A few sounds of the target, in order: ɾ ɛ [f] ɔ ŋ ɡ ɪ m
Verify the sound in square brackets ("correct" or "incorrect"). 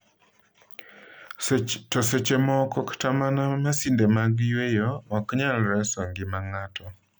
incorrect